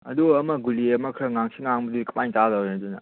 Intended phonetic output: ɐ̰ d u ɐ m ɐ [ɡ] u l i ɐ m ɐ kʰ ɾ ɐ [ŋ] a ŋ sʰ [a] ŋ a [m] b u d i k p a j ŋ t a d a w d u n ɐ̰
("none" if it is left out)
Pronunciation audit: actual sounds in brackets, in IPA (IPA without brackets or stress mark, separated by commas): ɡ, ŋ, i, ŋ